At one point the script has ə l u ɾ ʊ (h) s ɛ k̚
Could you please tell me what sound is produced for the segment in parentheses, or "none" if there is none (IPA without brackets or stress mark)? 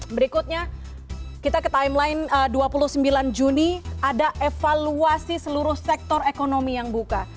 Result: h